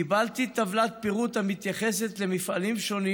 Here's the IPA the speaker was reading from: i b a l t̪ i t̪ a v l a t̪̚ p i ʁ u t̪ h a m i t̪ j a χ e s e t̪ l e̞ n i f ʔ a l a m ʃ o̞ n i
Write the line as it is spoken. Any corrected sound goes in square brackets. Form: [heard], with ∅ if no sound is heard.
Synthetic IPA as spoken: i b a l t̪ i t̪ a v l a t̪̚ p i ʁ u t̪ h a m i t̪ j a χ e s e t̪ l e̞ [m] i f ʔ a l [i] m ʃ o̞ n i